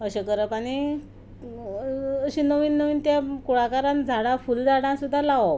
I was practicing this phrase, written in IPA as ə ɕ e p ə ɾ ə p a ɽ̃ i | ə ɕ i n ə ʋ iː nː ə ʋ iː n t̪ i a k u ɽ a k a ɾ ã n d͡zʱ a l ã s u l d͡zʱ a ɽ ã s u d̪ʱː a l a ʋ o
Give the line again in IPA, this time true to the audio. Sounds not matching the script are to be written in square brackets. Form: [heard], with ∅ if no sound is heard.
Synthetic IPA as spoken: ə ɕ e [k] ə ɾ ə p a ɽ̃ i | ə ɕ i n ə ʋ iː nː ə ʋ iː n t̪ [j] a k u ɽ a k a ɾ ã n d͡zʱ a [ɽ] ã [f] u l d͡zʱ a ɽ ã s u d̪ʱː a l a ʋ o